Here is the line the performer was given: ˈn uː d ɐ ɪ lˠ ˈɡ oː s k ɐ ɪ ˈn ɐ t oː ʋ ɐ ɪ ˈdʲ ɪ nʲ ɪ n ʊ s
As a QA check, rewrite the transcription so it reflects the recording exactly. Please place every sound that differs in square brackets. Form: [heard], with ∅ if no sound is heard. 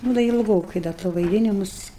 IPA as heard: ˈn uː d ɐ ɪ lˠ ˈɡ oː [∅] k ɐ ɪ [ˈd] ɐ t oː ʋ ɐ ɪ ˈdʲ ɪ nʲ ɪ [m] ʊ s